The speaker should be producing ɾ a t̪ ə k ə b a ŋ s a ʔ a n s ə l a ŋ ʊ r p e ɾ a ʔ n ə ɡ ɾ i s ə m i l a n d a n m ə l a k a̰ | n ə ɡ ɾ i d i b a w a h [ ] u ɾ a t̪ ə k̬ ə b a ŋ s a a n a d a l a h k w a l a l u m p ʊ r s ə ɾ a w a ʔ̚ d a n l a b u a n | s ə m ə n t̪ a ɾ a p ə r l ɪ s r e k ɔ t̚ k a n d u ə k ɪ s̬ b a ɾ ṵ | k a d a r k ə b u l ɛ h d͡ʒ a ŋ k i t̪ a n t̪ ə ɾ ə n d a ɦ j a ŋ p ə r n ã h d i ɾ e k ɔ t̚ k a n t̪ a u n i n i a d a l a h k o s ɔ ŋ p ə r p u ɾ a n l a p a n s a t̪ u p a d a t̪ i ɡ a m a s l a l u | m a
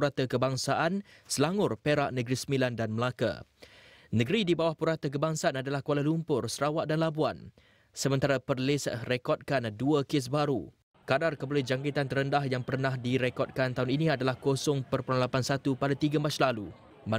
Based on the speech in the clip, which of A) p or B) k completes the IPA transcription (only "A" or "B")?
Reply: A